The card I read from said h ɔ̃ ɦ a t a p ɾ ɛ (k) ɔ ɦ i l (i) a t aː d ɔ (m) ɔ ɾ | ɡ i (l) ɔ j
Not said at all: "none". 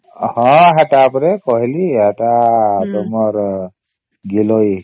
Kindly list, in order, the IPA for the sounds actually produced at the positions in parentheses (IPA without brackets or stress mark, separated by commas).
k, i, m, l